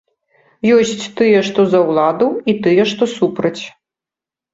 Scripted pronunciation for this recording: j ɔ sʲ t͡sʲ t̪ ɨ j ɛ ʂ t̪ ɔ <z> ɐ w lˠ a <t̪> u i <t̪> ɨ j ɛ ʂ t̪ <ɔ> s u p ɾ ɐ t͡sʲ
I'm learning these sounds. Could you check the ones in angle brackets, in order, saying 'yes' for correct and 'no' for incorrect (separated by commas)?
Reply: yes, no, yes, yes